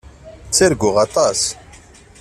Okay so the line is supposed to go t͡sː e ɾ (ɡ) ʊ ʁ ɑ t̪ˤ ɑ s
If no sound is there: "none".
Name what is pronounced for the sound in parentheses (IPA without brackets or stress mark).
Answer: ɡ